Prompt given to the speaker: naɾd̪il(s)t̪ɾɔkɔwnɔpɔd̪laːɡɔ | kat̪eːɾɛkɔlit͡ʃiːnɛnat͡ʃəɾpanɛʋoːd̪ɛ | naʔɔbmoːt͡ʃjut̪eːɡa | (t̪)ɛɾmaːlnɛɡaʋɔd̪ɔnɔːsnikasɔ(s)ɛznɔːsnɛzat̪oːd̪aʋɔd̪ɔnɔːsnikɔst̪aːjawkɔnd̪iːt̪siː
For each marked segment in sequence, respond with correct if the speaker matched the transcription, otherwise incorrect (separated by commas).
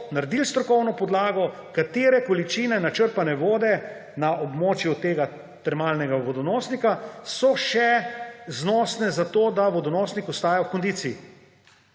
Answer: correct, correct, incorrect